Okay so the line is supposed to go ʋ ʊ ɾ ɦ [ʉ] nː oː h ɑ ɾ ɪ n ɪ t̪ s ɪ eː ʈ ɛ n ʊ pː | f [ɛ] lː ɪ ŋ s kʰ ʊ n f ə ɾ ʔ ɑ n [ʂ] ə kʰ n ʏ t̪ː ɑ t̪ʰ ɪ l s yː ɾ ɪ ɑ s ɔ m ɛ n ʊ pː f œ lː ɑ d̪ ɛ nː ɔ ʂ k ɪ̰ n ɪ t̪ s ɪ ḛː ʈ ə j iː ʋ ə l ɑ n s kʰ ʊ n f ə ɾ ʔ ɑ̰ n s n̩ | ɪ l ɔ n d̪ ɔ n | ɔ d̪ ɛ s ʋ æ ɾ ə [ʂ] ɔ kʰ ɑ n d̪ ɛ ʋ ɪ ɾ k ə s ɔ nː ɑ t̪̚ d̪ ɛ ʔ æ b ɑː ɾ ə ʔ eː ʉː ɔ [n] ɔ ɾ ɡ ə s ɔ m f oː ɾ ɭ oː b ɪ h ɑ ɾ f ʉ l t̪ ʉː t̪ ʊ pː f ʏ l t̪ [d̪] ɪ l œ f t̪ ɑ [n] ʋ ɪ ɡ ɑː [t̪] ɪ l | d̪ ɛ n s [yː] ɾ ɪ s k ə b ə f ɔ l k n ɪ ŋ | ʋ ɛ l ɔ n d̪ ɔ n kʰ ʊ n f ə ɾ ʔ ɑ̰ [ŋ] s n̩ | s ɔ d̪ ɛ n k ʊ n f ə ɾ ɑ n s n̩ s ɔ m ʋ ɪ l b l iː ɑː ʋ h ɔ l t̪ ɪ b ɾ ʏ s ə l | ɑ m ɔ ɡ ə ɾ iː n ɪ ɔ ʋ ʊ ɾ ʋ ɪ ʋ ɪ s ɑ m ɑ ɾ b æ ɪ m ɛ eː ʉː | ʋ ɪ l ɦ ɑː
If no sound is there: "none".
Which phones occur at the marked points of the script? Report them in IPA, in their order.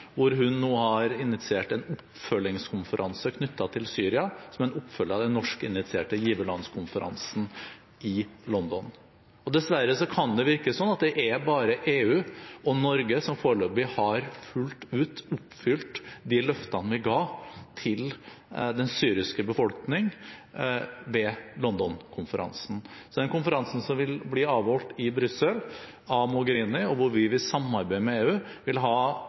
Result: ʉ, œ, s, s, n, d̪, n, t̪ʰ, yː, n

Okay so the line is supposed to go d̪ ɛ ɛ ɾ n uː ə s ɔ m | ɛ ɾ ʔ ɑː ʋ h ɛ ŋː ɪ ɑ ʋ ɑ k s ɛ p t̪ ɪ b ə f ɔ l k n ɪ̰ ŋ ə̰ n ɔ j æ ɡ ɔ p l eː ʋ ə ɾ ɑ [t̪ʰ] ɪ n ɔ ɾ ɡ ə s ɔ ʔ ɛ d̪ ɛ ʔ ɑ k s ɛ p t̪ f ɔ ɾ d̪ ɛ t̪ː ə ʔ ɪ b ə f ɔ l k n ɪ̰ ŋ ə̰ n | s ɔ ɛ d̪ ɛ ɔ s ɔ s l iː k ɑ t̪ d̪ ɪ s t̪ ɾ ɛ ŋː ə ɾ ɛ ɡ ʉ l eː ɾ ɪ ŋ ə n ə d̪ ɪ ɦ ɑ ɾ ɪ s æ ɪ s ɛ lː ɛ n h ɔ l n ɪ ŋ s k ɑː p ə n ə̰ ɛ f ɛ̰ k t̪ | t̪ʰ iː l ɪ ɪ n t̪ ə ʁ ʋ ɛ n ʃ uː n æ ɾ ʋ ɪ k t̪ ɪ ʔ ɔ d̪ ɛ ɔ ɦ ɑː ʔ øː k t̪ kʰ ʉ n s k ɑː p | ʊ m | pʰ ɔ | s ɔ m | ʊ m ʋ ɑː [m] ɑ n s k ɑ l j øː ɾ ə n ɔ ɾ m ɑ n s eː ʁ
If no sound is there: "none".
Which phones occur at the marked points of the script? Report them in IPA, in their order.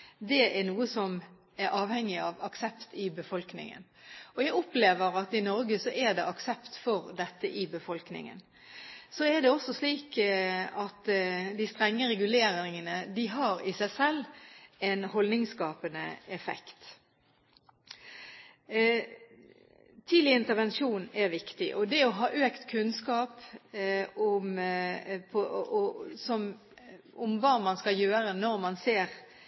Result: t̪, m

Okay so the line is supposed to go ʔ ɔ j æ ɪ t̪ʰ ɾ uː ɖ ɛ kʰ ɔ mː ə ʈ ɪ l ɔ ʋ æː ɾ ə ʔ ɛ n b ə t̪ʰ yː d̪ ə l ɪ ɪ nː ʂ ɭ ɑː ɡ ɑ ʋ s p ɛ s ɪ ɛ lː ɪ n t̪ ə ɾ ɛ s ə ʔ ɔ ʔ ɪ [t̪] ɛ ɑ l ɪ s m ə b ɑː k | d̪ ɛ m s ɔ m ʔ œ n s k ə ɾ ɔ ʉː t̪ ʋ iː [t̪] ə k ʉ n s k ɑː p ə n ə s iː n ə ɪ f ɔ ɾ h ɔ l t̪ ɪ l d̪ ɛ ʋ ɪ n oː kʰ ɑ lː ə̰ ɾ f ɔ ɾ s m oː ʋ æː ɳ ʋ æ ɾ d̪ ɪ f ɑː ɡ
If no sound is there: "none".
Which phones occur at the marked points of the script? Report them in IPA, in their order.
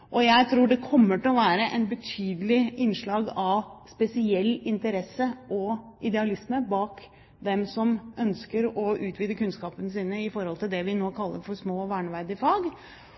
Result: d̪, d̪

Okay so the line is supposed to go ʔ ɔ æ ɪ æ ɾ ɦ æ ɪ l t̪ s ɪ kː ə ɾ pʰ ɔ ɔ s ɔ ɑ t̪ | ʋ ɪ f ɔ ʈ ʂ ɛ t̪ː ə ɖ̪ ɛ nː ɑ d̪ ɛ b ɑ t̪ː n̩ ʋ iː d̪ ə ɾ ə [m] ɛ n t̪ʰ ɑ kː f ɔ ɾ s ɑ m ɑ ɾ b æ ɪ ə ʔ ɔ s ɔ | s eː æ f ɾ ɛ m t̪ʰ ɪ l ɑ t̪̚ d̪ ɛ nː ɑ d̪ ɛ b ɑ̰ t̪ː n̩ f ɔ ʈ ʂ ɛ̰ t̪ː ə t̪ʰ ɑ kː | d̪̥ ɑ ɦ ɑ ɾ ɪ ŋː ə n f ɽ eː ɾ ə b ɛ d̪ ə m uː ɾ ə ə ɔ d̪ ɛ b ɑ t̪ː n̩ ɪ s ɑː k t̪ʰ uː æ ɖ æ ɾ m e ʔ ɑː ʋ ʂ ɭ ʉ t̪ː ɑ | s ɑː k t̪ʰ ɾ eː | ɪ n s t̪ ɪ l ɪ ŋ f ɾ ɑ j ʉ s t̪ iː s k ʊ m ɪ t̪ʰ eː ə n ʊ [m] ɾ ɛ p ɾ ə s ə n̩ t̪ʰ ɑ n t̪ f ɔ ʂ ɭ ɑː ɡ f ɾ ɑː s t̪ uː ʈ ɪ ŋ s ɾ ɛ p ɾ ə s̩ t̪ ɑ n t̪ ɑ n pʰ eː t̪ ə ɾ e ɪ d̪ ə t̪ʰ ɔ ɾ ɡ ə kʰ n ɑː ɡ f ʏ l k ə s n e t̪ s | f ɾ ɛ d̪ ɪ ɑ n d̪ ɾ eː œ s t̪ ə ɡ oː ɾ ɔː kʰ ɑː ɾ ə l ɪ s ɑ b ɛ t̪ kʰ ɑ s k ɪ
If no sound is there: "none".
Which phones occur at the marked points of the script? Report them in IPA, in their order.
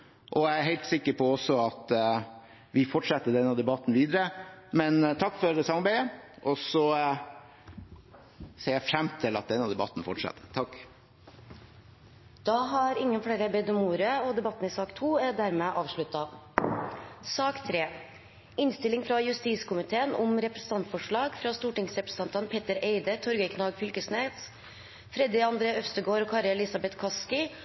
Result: m, m

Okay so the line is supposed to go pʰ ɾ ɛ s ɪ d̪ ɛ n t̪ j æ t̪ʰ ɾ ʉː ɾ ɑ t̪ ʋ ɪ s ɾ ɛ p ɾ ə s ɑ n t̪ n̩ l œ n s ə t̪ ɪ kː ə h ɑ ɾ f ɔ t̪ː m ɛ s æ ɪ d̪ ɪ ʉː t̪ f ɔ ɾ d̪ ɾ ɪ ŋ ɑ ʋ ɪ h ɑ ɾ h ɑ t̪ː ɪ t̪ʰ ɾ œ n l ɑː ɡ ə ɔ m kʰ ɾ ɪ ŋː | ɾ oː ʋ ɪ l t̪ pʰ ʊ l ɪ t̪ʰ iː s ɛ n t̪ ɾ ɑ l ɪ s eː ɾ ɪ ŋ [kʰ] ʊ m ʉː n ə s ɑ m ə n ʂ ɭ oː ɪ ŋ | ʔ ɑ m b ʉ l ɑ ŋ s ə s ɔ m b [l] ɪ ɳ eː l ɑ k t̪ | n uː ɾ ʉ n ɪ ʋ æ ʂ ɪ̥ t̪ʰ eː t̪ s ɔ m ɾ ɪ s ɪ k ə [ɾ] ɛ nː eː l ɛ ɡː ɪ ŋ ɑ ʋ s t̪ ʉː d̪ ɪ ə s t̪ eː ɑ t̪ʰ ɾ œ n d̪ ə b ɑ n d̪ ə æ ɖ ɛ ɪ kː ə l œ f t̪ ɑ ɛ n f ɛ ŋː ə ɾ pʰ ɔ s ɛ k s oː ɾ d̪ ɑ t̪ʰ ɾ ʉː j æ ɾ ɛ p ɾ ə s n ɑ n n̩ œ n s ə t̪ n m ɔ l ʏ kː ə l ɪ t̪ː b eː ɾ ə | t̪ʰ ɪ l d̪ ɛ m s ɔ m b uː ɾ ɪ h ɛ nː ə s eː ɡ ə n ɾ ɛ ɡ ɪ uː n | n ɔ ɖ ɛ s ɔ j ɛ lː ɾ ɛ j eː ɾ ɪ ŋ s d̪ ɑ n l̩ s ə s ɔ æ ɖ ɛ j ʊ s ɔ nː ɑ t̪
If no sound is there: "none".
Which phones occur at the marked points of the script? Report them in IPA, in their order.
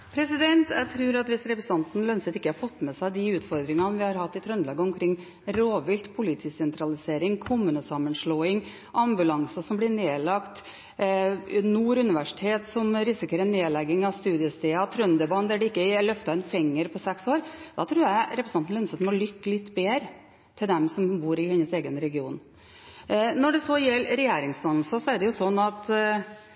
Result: kʰ, l, ɾ

